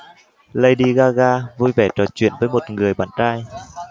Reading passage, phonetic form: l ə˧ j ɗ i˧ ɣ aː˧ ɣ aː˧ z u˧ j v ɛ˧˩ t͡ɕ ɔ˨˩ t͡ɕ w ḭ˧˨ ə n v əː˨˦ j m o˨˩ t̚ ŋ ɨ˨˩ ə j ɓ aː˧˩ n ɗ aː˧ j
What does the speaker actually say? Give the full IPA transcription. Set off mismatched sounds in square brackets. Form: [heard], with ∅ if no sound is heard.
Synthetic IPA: l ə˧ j ɗ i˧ ɣ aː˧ ɣ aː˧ [v] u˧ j v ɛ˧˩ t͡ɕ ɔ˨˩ t͡ɕ w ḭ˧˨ ə n v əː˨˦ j m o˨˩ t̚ ŋ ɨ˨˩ ə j ɓ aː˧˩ n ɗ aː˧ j